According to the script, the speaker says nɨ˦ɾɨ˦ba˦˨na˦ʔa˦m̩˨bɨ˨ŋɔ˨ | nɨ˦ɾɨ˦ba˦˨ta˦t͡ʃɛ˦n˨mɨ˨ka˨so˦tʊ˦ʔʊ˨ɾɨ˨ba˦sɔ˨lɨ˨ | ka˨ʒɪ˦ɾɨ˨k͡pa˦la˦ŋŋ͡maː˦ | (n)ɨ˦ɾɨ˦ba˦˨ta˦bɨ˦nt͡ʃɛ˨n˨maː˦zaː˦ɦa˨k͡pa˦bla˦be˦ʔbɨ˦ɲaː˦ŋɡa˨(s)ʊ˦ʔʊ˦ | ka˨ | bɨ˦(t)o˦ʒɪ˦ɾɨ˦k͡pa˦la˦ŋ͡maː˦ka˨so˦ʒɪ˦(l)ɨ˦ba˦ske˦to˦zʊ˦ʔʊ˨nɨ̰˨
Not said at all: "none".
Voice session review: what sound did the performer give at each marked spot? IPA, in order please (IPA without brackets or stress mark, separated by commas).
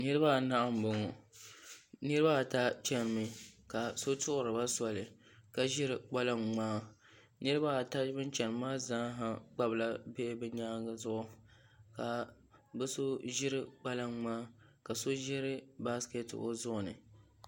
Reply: n, z, s, ɾ